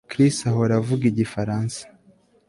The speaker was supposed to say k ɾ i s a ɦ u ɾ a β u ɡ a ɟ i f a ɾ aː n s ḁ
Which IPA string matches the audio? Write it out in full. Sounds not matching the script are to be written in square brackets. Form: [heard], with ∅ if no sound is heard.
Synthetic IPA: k ɾ i s a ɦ [o] ɾ a [v] u ɡ [i] ɟ i f a ɾ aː n s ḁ